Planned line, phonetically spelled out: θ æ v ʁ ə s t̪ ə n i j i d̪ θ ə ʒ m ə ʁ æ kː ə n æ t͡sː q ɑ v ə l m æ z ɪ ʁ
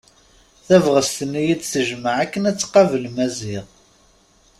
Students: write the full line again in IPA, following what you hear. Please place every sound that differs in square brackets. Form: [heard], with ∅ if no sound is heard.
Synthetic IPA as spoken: θ æ v ʁ ə s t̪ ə n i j i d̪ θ ə ʒ m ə [ʕ] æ kː ə n æ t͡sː q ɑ v ə l m æ z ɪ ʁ